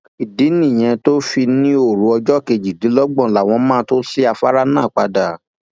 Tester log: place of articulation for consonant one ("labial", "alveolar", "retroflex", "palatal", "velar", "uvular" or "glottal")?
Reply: alveolar